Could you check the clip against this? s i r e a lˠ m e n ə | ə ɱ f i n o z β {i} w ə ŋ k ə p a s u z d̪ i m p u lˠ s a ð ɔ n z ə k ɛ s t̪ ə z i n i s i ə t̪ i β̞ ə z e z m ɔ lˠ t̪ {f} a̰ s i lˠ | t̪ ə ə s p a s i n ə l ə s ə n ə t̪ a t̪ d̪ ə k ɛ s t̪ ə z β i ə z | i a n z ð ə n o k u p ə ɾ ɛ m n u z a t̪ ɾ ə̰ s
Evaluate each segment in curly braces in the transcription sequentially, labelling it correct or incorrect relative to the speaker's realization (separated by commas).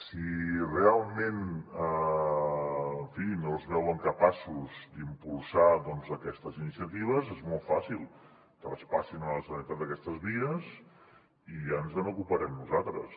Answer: incorrect, correct